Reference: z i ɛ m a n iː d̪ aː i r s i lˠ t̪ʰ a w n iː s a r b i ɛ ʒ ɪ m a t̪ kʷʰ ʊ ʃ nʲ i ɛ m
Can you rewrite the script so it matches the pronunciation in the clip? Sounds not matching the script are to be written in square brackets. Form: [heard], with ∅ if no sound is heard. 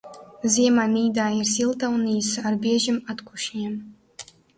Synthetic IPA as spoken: z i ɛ m a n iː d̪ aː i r s i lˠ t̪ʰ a w n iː s a r b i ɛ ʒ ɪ m a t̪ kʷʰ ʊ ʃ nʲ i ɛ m